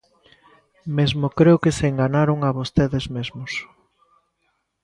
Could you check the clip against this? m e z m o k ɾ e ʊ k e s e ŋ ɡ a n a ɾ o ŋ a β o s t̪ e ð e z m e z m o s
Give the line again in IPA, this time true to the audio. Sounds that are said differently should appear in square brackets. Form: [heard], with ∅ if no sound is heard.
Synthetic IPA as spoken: m e z m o k ɾ e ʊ k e s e ŋ ɡ a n a ɾ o ŋ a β o s t̪ e ð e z m e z m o s